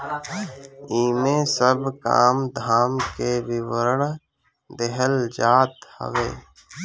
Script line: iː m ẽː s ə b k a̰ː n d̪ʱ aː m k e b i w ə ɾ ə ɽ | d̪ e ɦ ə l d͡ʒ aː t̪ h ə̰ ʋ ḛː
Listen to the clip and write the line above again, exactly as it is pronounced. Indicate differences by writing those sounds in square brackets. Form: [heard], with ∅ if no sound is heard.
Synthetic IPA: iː m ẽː s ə b k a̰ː [m] d̪ʱ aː m k e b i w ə ɾ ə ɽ | d̪ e ɦ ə l d͡ʒ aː t̪ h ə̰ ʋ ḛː